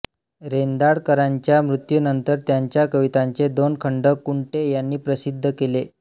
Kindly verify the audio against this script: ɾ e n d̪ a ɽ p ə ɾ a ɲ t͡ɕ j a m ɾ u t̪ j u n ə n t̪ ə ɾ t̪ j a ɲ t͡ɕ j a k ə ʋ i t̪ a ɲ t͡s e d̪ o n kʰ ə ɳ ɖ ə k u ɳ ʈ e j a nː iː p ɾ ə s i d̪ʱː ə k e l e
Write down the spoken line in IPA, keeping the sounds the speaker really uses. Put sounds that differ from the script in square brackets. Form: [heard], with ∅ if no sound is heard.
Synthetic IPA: ɾ e n d̪ a ɽ [k] ə ɾ a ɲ t͡ɕ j a m ɾ u t̪ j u n ə n t̪ ə ɾ t̪ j a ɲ t͡ɕ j a k ə ʋ i t̪ a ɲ t͡s e d̪ o n kʰ ə ɳ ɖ ə k u ɳ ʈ e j a nː iː p ɾ ə s i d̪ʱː ə k e l e